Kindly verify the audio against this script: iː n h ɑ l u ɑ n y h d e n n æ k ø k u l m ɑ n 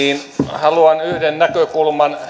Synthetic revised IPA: iː n h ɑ l u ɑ n y h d e n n æ k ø k u l m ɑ n